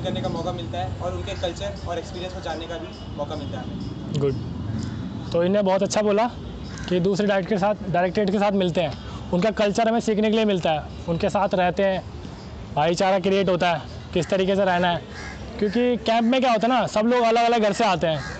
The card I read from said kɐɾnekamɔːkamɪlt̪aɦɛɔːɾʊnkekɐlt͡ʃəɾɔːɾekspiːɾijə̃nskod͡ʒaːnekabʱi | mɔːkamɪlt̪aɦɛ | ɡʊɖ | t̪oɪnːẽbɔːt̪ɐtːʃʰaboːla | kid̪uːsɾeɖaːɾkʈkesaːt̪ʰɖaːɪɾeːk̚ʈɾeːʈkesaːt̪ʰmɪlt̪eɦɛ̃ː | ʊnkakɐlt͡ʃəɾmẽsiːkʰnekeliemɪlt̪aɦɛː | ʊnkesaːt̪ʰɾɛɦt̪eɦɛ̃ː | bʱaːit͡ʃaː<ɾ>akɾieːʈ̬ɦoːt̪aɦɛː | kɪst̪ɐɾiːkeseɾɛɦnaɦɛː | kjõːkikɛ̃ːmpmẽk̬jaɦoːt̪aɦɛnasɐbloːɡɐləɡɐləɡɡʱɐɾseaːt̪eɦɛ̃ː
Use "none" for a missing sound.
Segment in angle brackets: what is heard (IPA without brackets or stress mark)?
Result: ɾ